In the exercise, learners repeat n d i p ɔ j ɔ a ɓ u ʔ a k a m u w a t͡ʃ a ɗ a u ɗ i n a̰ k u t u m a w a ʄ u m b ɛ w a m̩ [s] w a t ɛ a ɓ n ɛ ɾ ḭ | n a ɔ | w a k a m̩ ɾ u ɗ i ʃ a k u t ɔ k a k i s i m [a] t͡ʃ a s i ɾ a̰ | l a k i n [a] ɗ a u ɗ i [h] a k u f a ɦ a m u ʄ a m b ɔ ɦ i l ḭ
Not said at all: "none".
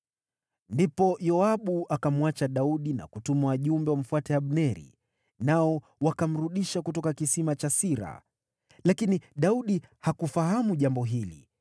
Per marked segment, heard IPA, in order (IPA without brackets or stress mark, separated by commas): f, a, i, h